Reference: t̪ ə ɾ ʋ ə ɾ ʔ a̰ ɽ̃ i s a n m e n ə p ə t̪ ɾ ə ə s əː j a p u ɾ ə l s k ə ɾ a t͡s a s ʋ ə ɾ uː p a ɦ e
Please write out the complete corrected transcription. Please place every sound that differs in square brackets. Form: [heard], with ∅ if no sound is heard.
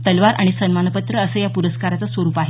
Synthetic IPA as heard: t̪ ə [l] ʋ [a] ɾ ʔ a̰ ɽ̃ i s [ə] n m [a] n ə p ə t̪ ɾ ə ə s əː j a p u ɾ ə [∅] s k [a] ɾ a t͡s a s ʋ ə ɾ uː p a ɦ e